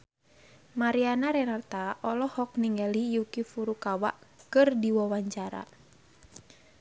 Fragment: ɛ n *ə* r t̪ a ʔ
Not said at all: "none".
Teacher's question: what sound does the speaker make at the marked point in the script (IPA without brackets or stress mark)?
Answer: a